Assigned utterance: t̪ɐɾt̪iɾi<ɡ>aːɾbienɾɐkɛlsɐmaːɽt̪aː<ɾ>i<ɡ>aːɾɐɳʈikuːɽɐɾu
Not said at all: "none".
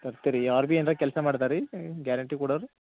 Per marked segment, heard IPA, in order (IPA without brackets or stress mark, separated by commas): none, ɾ, ɡ